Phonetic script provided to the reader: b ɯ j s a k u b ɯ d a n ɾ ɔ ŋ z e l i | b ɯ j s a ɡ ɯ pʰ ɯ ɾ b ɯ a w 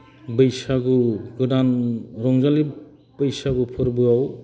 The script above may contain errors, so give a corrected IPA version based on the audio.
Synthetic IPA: b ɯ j s a ɡ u ɡ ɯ d a n ɾ ɔ ŋ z a l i | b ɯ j s a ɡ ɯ pʰ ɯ ɾ b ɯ a w